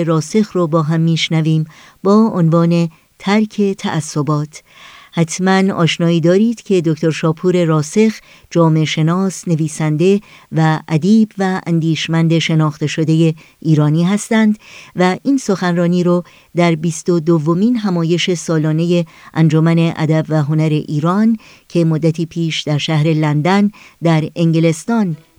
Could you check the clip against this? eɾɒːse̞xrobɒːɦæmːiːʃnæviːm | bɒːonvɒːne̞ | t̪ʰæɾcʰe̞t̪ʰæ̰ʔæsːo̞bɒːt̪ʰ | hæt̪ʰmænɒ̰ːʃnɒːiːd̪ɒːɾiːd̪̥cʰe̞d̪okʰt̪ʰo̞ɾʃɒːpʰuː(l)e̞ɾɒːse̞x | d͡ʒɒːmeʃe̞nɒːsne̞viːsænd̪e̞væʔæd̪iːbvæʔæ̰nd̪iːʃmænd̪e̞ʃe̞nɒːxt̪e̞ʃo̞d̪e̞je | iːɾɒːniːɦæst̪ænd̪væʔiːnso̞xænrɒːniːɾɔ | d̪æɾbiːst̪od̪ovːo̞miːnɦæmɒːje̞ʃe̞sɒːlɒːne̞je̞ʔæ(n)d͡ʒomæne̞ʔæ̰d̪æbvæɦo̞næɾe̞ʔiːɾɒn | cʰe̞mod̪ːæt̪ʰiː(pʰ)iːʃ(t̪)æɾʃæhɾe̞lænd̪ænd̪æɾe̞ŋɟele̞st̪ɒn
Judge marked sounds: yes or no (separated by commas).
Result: no, yes, yes, no